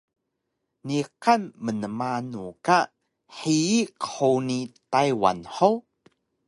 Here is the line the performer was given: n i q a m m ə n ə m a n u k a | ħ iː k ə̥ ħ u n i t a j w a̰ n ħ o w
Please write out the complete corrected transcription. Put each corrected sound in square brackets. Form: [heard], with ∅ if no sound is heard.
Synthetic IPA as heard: n i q a [n] m ə n ə m a n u k a | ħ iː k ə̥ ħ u n i t a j w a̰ n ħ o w